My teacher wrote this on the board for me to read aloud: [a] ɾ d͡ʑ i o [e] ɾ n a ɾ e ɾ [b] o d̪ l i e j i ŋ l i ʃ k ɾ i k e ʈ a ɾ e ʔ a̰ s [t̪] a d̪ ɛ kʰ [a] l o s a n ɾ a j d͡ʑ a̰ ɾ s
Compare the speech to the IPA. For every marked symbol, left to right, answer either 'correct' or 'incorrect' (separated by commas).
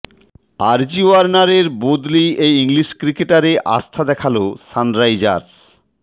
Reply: correct, incorrect, correct, incorrect, correct